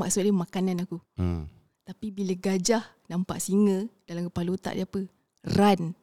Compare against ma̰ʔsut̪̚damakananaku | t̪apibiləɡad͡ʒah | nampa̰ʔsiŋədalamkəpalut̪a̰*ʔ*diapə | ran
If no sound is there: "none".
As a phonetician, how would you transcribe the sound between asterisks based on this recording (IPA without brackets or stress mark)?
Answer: ʔ